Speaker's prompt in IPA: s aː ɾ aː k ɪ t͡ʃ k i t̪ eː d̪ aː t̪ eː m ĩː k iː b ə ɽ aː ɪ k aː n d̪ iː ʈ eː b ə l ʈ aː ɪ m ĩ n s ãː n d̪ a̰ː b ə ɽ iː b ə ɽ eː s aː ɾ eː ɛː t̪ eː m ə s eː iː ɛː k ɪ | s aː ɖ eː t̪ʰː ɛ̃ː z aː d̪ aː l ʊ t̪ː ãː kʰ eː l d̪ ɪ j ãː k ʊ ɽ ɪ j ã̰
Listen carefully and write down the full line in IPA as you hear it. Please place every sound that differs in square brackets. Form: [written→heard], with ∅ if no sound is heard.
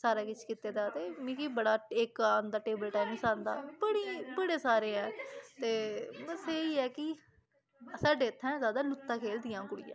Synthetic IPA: s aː ɾ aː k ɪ t͡ʃ k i t̪ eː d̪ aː t̪ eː m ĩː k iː b ə ɽ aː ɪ k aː n d̪ [iː→aː] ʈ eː b ə l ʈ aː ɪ m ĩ [n→∅] s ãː n d̪ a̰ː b ə ɽ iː b ə ɽ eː s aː ɾ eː ɛː t̪ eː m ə s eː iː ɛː k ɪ | s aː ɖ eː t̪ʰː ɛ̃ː z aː d̪ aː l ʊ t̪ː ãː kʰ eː l d̪ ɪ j ãː k ʊ ɽ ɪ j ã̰

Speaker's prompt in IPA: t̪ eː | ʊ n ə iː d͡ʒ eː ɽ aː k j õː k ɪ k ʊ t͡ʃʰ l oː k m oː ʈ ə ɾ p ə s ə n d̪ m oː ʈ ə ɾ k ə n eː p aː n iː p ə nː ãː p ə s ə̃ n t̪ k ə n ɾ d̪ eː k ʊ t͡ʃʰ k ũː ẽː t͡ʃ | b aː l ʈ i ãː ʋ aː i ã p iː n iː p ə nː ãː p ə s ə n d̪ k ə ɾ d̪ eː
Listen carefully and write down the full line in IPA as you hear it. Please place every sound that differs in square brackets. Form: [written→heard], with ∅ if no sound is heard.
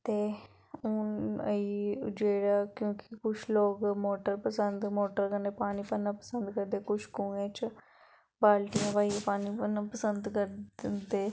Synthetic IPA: t̪ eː | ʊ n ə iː d͡ʒ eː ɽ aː k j õː k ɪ k ʊ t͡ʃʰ l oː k m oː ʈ ə ɾ p ə s ə n d̪ m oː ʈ ə ɾ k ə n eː p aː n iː p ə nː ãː p ə s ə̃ n [t̪→d̪] k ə [n→∅] ɾ d̪ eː k ʊ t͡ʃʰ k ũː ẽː t͡ʃ | b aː l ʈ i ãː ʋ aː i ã p [iː→aː] n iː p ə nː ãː p ə s ə n d̪ k ə ɾ d̪ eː

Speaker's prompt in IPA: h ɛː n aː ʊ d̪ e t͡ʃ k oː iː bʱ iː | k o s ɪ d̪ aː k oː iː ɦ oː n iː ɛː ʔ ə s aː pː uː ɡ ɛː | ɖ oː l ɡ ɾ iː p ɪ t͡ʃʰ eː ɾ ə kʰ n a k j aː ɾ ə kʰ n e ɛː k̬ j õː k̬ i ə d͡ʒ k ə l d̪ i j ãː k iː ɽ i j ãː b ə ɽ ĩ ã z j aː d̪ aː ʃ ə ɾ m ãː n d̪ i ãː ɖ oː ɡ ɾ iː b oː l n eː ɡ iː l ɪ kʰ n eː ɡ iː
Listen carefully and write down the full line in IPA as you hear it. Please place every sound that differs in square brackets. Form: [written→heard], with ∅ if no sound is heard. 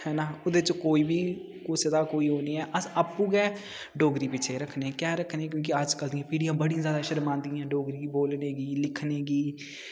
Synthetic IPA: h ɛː n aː ʊ d̪ e t͡ʃ k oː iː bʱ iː | k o s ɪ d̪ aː k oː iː ɦ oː n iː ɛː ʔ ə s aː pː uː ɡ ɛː | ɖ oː [l→∅] ɡ ɾ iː p ɪ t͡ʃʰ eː ɾ ə kʰ n [a→e] k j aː ɾ ə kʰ n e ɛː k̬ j õː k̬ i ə d͡ʒ k ə l d̪ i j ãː [k→p] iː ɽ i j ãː b ə ɽ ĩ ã z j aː d̪ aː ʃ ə ɾ m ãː n d̪ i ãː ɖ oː ɡ ɾ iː b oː l n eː ɡ iː l ɪ kʰ n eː ɡ iː

